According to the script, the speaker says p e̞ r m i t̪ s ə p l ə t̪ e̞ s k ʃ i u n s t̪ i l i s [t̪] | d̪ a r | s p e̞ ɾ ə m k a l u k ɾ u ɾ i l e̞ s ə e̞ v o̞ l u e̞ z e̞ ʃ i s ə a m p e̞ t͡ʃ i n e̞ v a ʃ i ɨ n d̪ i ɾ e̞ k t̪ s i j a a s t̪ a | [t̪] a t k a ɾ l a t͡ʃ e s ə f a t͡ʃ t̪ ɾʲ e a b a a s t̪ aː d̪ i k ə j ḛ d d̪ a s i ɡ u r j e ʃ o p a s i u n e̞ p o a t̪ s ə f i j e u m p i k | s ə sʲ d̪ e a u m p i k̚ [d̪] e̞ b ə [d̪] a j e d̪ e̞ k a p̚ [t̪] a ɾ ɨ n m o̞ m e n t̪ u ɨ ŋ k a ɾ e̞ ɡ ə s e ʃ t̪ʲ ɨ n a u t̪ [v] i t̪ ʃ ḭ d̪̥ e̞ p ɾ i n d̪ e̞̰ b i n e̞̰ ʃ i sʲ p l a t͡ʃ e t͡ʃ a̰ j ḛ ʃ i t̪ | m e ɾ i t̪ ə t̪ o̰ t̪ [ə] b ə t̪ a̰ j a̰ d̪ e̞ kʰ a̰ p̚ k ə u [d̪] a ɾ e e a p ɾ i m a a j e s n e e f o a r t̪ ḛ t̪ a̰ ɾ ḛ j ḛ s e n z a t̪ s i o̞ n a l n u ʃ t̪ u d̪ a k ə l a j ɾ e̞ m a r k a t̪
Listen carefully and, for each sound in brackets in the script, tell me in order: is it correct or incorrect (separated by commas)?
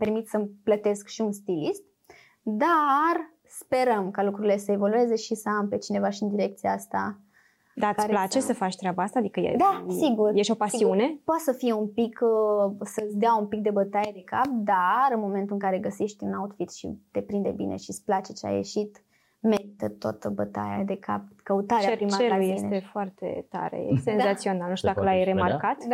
correct, incorrect, correct, incorrect, incorrect, incorrect, correct, incorrect